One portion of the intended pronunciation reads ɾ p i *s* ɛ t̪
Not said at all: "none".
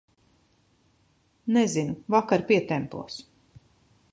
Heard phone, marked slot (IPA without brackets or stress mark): none